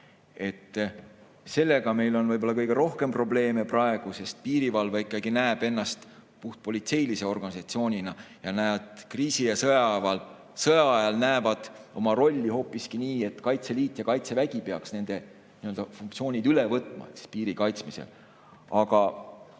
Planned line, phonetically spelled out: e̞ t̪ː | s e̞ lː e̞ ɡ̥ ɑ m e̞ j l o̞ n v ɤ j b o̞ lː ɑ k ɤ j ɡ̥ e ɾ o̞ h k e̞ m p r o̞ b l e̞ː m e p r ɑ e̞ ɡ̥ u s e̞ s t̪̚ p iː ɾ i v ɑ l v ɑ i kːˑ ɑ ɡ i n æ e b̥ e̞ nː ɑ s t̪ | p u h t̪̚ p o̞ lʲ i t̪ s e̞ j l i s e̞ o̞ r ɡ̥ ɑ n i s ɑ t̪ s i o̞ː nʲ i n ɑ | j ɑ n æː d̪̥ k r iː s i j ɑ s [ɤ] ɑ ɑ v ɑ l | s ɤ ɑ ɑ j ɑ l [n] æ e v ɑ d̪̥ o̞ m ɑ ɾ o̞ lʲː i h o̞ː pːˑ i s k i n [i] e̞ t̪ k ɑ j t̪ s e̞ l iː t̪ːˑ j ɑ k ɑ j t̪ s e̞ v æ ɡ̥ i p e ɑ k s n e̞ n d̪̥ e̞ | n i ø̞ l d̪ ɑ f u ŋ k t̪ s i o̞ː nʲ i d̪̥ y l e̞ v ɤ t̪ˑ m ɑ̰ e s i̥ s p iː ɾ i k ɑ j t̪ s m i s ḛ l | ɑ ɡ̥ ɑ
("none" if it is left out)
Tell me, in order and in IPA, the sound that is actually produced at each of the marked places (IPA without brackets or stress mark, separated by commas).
ɤ, n, iː